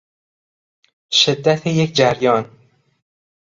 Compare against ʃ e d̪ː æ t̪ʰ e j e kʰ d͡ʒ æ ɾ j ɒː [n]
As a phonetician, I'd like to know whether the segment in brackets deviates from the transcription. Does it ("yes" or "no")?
no